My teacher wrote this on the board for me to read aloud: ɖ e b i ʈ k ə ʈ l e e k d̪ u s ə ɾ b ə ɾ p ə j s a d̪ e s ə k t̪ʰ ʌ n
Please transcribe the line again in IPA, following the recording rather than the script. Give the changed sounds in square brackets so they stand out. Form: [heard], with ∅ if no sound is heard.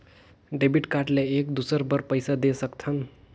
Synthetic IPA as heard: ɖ e b i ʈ k [a] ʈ l e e k d̪ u s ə ɾ b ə ɾ p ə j s a d̪ e s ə k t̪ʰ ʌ n